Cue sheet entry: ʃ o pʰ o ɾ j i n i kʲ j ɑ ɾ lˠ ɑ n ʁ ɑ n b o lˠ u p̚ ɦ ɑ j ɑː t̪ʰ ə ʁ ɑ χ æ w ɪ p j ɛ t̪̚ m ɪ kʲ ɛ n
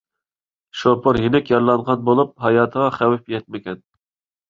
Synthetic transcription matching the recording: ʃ o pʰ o ɾ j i n ɪ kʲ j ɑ ɾ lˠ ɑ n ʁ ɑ n b o lˠ u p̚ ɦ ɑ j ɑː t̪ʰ ə ʁ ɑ χ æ w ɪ p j ɛ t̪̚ m ɪ kʲ ɛ n